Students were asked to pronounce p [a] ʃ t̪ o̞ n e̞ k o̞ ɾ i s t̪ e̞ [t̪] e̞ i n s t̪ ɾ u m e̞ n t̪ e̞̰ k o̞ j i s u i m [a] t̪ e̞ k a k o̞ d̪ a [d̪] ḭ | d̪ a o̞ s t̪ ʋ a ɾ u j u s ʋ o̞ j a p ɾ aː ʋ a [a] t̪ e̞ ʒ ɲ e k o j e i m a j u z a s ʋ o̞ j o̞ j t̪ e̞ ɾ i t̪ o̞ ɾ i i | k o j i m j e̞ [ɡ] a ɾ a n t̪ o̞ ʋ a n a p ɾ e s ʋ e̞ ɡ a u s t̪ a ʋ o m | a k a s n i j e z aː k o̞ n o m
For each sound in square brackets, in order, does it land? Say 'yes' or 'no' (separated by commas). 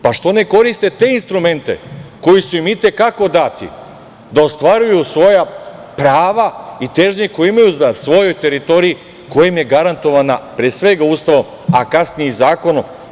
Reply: yes, yes, no, no, no, yes